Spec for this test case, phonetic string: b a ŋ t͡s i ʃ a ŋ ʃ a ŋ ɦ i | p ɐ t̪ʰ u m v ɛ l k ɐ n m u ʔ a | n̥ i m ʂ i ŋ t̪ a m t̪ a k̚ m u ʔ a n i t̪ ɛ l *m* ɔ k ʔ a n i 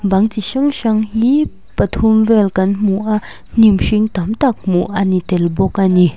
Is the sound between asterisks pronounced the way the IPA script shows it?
no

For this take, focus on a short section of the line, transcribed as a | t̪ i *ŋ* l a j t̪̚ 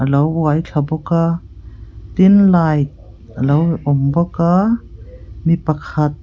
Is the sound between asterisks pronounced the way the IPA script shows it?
no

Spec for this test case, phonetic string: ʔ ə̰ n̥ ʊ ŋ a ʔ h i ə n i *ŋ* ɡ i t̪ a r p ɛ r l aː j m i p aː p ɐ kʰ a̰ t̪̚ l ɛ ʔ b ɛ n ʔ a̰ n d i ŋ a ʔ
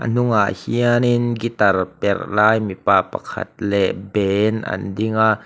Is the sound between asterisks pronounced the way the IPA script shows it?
no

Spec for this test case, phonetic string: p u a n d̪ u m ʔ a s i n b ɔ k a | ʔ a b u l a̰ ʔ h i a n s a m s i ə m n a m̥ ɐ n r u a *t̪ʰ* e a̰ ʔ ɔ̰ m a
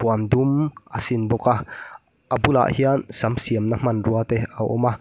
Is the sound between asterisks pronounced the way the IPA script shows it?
no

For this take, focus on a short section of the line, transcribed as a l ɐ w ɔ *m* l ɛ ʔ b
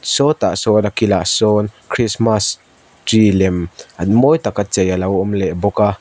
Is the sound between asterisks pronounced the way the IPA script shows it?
yes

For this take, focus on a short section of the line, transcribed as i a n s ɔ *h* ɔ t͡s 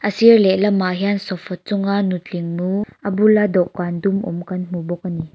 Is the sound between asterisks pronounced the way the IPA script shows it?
no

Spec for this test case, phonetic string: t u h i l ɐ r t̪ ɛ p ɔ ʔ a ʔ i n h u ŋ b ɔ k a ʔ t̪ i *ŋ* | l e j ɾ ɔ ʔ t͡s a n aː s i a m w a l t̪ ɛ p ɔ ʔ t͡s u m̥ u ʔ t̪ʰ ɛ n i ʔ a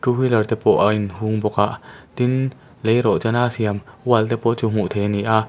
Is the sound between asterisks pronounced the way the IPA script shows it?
no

